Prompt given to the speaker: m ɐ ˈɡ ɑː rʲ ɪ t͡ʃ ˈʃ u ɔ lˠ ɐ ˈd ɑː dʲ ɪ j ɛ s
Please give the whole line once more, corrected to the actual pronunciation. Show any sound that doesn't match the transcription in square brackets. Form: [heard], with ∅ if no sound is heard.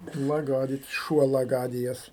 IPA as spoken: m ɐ ˈɡ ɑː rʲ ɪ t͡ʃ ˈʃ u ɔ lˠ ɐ [ˈɡ] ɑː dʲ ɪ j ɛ s